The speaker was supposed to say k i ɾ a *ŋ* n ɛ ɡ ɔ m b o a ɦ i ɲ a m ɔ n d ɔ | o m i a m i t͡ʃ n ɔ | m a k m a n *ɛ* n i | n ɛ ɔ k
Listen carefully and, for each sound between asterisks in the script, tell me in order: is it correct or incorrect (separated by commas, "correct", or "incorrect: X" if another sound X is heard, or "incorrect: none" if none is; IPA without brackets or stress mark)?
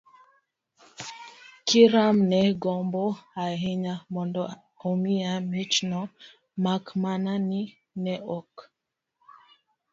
incorrect: m, incorrect: a